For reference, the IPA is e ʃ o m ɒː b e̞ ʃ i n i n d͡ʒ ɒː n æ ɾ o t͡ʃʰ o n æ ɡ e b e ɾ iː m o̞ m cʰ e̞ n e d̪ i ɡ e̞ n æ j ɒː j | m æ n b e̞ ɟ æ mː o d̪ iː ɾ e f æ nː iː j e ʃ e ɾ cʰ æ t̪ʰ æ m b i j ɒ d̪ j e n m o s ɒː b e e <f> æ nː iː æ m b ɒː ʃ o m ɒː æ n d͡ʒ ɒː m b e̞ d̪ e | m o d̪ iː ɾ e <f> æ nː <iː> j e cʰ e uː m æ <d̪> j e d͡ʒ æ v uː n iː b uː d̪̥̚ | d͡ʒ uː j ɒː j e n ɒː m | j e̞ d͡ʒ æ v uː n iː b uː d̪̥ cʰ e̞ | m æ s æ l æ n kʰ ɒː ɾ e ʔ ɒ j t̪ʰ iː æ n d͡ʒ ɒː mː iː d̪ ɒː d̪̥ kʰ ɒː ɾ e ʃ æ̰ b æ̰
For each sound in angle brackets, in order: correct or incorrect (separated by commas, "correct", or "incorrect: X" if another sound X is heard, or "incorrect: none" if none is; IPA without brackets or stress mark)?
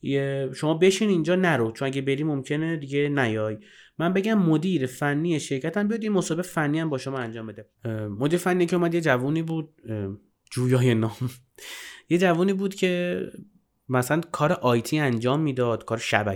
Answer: correct, correct, incorrect: i, correct